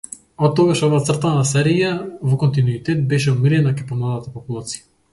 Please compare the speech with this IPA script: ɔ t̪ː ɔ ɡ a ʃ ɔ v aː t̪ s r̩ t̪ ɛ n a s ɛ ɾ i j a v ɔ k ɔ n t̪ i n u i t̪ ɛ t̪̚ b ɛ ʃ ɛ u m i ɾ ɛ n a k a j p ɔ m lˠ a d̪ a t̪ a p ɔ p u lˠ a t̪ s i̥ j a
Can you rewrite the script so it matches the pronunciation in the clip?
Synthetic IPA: ɔ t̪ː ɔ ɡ a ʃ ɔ v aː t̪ s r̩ t̪ a n a s ɛ ɾ i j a v ɔ k ɔ n t̪ i n u i t̪ ɛ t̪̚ b ɛ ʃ ɛ u m i ɾ ɛ n a k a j p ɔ m lˠ a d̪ a t̪ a p ɔ p u lˠ a t̪ s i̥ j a